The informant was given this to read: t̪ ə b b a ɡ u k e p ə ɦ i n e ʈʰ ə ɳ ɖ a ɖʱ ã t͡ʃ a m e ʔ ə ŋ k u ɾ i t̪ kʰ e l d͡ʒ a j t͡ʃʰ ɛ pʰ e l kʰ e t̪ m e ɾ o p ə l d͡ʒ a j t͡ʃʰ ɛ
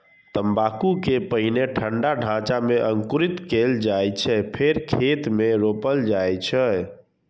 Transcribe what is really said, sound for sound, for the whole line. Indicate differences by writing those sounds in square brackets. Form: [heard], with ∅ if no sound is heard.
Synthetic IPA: t̪ ə [m] b a [k] u k e p ə ɦ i n e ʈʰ ə ɳ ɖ a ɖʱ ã t͡ʃ a m e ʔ ə ŋ k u ɾ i t̪ [k] e l d͡ʒ a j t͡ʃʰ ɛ pʰ e [ɾ] kʰ e t̪ m e ɾ o p ə l d͡ʒ a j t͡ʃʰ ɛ